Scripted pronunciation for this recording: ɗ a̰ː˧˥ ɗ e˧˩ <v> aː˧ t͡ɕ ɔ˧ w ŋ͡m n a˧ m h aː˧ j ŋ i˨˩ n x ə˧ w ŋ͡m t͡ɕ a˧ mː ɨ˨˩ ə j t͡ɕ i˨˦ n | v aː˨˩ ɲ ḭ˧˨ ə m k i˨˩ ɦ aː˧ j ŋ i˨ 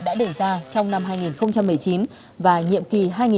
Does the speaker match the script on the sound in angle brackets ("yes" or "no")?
no